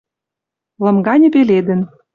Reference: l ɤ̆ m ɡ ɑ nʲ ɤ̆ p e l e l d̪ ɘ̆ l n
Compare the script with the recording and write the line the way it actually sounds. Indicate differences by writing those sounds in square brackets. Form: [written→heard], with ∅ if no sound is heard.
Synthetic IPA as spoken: l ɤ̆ m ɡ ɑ nʲ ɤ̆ p e l e [l→∅] d̪ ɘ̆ [l→∅] n